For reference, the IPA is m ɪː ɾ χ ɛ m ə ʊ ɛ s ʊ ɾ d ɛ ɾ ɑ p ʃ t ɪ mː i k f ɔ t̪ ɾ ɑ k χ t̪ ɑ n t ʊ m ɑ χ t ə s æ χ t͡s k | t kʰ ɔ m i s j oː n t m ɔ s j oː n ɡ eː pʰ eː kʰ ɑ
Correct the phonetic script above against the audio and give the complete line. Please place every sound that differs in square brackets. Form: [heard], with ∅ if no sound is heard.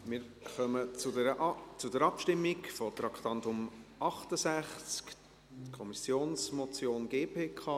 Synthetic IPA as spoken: m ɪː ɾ χ [œ] m ə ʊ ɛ [t͡s] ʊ [∅] d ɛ ɾ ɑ p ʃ t ɪ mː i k f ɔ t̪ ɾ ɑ k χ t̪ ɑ n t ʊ m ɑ χ t ə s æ χ t͡s k | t kʰ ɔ m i s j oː n [s] m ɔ [t͡s] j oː n ɡ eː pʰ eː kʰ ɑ